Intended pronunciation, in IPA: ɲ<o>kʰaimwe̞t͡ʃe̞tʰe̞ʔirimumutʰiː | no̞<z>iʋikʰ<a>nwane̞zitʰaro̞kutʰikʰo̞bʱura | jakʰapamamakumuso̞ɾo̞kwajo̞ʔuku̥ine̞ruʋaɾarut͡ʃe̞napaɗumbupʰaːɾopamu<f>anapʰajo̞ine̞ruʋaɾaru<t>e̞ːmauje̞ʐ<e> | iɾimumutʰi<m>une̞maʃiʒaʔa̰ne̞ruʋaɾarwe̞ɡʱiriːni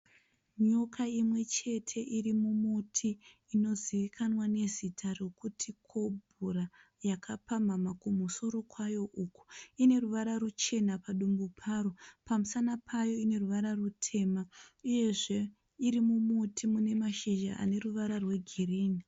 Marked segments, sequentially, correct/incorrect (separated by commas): correct, correct, correct, incorrect, incorrect, correct, correct